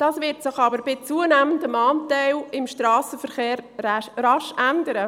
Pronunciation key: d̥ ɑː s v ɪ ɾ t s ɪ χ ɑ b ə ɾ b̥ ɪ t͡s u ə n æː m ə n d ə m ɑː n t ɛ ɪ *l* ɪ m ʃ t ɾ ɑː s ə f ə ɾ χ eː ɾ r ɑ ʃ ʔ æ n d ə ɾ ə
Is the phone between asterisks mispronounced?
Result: no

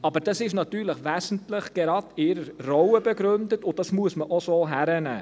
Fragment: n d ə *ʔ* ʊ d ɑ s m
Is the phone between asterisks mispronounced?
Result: yes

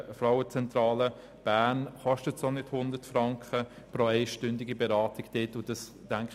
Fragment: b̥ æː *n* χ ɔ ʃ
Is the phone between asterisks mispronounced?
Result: no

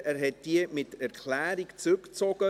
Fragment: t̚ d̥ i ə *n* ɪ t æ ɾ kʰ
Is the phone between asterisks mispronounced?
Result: yes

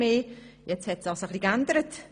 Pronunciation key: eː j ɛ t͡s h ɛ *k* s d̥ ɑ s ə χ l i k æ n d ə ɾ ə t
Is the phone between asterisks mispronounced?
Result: yes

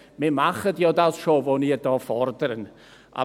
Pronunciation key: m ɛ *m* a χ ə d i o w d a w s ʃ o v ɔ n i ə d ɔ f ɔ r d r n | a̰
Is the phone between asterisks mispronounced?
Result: no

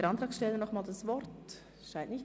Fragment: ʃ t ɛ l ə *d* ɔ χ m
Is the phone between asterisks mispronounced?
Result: yes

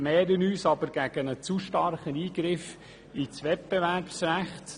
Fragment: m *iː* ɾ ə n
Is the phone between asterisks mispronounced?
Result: yes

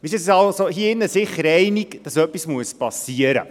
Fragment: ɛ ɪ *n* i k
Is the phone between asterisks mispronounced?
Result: no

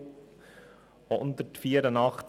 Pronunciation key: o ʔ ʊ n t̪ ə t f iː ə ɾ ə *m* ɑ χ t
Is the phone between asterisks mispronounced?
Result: yes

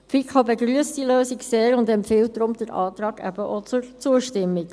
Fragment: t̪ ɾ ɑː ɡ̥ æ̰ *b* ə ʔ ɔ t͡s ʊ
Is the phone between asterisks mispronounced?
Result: no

